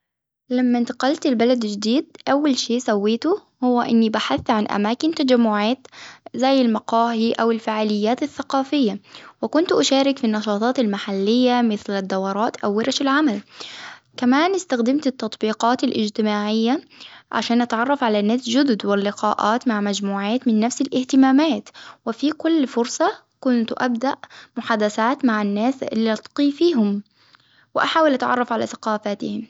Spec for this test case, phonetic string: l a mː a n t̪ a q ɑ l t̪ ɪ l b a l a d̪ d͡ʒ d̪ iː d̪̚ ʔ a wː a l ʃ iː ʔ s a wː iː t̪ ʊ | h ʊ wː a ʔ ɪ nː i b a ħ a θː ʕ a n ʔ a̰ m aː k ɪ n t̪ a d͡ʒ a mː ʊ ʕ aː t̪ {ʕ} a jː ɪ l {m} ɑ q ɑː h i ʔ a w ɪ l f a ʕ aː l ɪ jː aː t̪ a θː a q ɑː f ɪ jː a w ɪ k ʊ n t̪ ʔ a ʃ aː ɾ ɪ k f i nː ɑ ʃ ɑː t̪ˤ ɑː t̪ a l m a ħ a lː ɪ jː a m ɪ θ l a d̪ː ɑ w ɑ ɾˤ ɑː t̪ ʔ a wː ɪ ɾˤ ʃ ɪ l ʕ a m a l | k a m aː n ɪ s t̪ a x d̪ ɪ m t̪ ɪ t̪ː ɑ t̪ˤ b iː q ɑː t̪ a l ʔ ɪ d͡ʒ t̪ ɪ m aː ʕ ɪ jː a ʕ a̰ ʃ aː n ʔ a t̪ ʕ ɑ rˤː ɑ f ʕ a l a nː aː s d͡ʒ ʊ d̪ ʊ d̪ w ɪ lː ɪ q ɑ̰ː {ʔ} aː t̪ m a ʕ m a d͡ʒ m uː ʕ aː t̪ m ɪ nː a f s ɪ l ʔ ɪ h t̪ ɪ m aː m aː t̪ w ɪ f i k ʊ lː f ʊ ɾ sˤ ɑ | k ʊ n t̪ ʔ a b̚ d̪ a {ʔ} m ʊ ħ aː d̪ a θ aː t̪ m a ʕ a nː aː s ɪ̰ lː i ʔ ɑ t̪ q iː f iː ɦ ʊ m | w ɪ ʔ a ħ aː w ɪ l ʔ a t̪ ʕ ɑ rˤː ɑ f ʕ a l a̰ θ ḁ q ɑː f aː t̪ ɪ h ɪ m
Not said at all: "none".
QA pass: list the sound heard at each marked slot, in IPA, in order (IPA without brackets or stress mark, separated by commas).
z, m, ʔ, ʔ